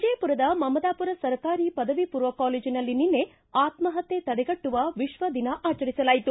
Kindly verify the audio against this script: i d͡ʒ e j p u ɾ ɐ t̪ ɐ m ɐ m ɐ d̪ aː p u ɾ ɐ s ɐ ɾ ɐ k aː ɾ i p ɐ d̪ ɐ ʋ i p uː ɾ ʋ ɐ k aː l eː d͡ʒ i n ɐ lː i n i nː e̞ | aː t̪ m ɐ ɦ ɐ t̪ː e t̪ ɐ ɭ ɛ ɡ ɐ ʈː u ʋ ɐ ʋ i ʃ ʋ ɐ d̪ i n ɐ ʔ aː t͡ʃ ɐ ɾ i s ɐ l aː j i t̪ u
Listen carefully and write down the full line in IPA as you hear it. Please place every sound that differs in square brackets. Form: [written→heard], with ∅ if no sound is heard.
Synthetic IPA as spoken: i d͡ʒ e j p u ɾ ɐ [t̪→d̪] ɐ m ɐ m ɐ d̪ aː p u ɾ ɐ s ɐ ɾ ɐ k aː ɾ i p ɐ d̪ ɐ ʋ i p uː ɾ ʋ ɐ k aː l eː d͡ʒ i n ɐ lː i n i nː e̞ | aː t̪ m ɐ ɦ ɐ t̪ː e t̪ ɐ [ɭ→ɽ] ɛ ɡ ɐ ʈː u ʋ ɐ ʋ i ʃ ʋ ɐ d̪ i n ɐ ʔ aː t͡ʃ ɐ ɾ i s ɐ l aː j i t̪ u